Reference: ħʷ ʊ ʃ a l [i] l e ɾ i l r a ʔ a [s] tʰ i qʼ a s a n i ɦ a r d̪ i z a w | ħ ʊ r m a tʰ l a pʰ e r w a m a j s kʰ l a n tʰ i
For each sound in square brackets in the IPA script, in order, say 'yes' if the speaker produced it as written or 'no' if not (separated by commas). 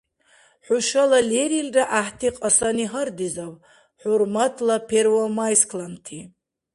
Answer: no, no